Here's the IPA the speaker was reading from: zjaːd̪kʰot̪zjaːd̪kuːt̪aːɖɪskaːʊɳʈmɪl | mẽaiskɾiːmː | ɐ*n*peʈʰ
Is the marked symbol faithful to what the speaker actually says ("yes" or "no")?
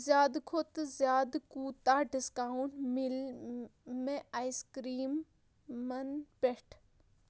yes